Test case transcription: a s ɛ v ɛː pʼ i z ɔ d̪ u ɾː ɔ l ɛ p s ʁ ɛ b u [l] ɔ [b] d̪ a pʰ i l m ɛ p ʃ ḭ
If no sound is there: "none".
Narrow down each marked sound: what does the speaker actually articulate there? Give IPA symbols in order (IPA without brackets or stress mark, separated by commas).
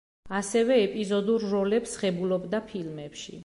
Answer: l, b